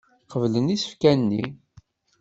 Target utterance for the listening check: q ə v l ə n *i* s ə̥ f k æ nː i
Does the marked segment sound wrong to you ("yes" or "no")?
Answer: no